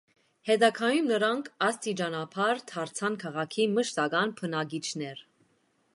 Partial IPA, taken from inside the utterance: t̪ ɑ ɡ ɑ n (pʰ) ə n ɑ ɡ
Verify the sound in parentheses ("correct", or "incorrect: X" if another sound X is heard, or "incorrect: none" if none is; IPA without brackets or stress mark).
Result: correct